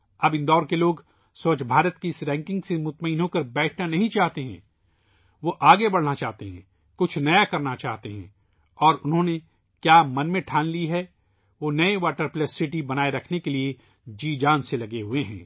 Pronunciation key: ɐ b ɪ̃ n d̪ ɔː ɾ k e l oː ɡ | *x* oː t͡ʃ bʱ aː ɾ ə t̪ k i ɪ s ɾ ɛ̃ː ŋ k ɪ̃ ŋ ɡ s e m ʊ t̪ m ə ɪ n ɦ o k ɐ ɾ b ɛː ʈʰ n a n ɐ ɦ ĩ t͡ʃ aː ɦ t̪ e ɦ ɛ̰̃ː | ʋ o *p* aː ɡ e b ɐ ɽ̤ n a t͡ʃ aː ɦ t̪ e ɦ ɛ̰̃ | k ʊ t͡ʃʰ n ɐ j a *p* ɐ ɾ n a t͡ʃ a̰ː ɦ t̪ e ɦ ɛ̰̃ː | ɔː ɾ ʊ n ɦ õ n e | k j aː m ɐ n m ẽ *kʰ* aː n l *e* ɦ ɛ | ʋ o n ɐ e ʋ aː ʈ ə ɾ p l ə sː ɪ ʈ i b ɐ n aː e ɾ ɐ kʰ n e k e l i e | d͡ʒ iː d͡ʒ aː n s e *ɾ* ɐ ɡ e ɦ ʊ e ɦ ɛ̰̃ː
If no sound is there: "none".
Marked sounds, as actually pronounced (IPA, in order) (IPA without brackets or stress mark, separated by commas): s, ʔ, k, ʈʰ, i, l